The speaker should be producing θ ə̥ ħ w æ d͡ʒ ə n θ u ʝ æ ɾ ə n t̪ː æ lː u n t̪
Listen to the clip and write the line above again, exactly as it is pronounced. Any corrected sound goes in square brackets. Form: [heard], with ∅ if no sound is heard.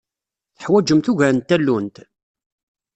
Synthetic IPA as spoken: θ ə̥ ħ w æ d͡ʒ ə [m] θ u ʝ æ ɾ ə n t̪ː æ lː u n t̪